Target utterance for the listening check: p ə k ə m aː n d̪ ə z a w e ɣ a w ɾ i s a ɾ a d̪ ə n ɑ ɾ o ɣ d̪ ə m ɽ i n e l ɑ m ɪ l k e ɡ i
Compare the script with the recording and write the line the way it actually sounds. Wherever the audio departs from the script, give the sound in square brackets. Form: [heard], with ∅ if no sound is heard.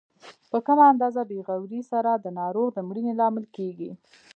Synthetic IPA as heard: p ə k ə m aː n d̪ [ɑ] z a [b] e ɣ a w ɾ i s a ɾ a d̪ ə n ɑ ɾ o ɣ d̪ ə m ɽ i n e l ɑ m ɪ l k e ɡ i